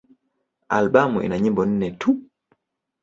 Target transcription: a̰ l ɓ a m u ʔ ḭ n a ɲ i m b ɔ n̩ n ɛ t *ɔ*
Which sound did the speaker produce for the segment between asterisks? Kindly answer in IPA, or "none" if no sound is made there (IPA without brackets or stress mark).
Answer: u